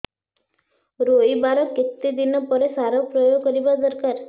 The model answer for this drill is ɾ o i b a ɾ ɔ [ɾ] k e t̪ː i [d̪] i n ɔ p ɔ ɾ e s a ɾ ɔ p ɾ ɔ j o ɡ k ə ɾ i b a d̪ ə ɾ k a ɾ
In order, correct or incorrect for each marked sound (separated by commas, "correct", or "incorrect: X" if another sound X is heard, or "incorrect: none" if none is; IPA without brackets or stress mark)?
incorrect: none, correct